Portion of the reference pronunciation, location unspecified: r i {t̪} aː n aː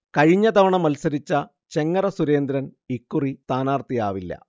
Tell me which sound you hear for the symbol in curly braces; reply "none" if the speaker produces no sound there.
t̪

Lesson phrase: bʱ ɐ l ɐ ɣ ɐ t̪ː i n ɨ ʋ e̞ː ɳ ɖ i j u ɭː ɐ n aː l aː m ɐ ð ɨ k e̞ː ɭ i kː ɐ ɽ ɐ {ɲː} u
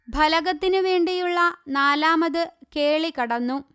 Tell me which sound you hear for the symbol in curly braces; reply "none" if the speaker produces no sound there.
nː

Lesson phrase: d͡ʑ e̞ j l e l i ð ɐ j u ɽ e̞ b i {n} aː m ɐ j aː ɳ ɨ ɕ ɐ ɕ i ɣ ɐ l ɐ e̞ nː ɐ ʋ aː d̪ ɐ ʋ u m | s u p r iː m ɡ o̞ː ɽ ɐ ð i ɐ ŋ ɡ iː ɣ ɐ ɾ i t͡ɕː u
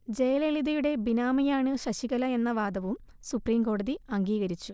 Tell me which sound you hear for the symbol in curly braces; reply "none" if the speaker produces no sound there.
n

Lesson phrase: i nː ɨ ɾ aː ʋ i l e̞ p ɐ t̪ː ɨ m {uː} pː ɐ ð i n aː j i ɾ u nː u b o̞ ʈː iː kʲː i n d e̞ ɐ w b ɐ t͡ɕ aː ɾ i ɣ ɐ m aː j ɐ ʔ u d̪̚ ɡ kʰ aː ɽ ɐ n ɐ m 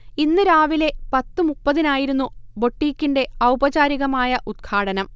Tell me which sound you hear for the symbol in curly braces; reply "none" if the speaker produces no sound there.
u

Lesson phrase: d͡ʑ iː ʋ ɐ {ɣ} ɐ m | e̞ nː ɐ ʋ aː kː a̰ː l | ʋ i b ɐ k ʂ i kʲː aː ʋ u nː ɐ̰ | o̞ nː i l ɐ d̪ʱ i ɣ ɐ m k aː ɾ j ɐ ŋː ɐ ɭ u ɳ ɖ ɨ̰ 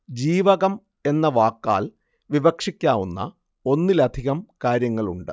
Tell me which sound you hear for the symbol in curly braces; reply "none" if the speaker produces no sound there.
ɣ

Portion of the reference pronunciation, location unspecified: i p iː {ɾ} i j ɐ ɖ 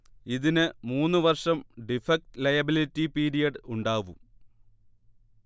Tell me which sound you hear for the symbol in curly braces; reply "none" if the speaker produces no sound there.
ɾ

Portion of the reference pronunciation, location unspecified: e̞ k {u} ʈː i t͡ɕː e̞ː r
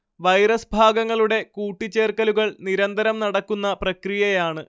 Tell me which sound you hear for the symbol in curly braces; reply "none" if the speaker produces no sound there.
uː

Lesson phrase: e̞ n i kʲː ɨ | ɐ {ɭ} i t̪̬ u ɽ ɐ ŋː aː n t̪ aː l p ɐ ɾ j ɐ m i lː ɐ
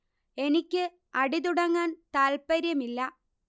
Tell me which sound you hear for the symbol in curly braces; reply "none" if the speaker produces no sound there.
ɽ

